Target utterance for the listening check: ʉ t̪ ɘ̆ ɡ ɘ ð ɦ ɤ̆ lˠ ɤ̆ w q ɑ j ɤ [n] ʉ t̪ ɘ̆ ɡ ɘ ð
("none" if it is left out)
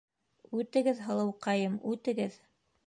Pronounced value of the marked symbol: m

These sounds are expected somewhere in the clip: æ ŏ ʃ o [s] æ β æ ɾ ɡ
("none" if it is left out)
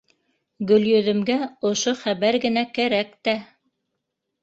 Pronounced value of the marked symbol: χ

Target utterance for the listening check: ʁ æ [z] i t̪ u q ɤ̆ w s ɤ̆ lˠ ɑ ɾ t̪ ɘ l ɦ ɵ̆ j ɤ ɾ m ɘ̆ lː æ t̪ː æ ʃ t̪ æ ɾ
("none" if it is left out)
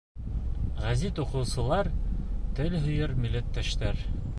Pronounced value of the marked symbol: z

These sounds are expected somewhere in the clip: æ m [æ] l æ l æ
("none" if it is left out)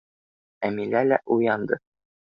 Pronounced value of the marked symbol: i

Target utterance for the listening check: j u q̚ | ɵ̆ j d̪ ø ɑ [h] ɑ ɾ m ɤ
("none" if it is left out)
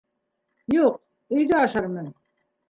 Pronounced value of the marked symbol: ʃ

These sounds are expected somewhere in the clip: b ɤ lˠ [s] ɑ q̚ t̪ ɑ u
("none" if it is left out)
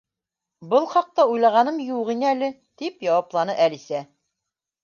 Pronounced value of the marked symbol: χ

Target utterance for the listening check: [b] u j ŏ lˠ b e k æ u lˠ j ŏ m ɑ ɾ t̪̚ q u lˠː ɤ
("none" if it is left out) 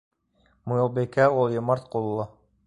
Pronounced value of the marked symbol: m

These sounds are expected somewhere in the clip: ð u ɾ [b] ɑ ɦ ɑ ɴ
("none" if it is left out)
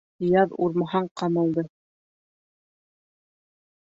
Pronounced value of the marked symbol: m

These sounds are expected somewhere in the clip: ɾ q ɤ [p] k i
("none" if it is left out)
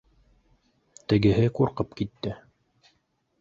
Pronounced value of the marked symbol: p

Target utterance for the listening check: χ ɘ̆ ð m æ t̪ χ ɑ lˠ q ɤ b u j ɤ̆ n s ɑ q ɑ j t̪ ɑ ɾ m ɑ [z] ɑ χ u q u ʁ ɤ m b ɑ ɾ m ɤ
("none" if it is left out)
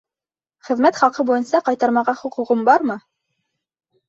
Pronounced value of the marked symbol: ʁ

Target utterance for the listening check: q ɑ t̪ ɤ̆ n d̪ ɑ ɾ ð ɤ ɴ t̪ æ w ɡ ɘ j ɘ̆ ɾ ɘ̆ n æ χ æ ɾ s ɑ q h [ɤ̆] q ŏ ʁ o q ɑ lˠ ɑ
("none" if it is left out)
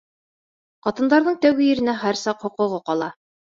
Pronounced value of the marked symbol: ŏ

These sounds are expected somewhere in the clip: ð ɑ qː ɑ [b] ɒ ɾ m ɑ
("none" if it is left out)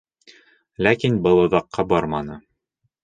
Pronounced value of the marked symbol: b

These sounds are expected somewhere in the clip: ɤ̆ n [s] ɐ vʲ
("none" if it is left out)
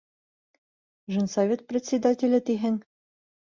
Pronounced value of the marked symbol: s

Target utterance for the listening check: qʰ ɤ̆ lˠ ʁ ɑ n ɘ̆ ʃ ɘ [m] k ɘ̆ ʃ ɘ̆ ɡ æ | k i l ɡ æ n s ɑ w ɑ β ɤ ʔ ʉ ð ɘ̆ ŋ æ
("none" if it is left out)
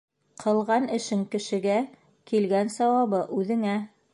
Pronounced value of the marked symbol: ŋ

